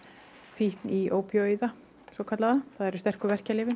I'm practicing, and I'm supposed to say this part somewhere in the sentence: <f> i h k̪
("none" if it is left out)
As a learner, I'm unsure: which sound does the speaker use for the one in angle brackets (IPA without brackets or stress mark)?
f